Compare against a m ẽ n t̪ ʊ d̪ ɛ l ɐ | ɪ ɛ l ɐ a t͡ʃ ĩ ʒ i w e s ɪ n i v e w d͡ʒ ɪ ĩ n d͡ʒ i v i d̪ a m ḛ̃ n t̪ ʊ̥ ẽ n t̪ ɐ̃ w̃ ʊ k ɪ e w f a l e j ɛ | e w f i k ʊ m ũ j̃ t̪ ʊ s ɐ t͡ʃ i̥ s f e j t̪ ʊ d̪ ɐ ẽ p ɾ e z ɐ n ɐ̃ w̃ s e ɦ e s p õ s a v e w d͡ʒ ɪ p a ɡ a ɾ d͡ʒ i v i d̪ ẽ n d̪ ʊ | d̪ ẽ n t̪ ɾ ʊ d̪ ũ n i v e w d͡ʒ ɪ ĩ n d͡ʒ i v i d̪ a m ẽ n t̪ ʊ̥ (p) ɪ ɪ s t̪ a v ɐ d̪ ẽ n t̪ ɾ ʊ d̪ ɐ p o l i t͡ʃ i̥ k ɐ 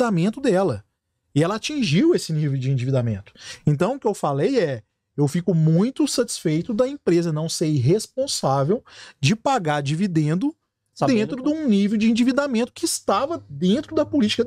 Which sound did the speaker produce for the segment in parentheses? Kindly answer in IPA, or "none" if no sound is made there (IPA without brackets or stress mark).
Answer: k